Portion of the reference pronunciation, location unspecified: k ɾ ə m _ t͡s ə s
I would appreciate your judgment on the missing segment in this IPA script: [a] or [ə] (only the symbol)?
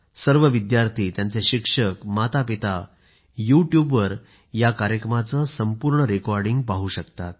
a